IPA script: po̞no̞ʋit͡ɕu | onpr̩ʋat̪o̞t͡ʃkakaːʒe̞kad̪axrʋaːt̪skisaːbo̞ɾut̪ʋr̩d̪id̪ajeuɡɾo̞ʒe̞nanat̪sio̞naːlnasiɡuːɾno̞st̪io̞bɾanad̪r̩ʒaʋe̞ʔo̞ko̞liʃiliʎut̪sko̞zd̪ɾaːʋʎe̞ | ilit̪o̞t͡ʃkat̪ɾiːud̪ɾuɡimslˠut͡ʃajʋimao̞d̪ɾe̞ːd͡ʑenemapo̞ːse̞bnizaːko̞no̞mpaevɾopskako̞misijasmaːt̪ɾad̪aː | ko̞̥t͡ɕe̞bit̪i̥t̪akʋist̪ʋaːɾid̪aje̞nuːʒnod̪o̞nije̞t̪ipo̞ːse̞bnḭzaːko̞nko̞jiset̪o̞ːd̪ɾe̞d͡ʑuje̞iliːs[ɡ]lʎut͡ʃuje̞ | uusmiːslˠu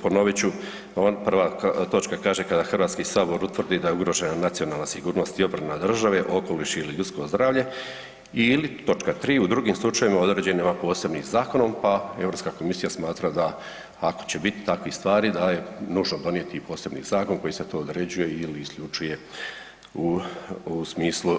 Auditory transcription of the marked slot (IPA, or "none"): k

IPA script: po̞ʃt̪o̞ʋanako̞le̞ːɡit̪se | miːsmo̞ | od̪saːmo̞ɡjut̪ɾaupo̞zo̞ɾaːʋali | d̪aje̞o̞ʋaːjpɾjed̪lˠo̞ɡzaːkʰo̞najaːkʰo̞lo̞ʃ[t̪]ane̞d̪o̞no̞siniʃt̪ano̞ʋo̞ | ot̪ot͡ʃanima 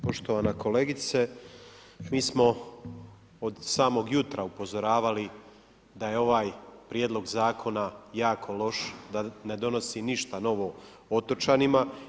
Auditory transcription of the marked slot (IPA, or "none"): d̪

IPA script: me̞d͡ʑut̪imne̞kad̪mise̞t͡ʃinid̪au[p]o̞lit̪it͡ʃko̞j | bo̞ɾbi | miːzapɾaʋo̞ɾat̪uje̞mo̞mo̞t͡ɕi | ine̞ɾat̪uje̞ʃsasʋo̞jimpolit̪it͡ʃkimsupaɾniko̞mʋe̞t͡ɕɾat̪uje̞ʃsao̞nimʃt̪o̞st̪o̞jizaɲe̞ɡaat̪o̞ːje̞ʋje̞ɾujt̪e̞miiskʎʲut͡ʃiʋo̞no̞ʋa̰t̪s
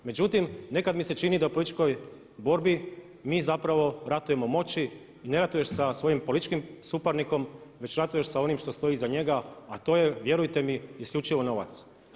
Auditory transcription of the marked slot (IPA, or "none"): p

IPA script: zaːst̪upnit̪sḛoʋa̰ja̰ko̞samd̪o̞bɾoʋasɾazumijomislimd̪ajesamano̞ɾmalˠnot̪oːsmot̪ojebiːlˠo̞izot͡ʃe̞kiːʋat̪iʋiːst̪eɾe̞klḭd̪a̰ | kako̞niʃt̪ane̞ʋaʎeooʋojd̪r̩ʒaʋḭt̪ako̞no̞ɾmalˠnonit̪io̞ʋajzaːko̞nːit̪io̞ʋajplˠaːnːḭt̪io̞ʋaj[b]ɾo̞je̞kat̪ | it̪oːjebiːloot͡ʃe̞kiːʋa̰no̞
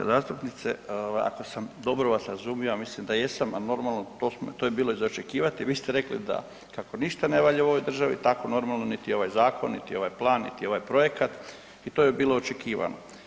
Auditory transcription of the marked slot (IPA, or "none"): p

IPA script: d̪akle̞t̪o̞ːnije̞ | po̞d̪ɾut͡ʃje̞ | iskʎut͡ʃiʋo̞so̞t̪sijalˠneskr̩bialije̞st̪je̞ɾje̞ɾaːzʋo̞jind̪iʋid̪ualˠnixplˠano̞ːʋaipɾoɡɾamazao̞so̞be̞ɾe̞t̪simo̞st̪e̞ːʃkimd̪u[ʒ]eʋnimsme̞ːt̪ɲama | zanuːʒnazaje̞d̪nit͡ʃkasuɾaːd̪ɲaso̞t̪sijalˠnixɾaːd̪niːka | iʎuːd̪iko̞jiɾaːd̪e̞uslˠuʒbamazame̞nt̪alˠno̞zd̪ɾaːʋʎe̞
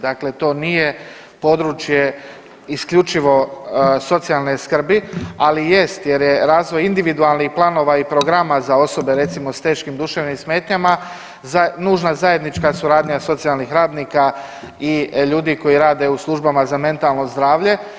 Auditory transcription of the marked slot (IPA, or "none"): ʃ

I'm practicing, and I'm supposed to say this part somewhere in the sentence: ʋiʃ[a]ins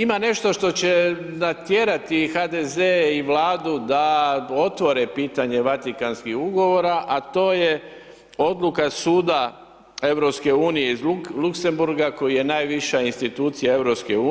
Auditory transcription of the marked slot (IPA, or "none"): a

